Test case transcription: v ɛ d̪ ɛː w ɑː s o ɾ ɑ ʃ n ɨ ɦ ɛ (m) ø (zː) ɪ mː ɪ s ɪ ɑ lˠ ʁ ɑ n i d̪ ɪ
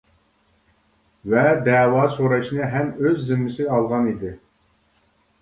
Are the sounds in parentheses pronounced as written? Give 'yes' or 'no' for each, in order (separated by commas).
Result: yes, yes